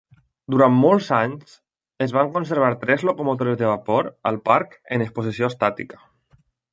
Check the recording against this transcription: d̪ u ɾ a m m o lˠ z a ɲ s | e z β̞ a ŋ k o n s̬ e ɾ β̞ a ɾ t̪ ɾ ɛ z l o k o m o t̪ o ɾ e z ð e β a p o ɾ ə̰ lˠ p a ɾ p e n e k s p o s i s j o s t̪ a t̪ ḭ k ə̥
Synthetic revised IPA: d̪ u ɾ a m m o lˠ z a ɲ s | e z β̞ a ŋ k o n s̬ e ɾ β̞ a ɾ t̪ ɾ ɛ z l o k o m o t̪ o ɾ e z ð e β a p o ɾ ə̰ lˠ p a ɾ k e n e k s p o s i s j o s t̪ a t̪ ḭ k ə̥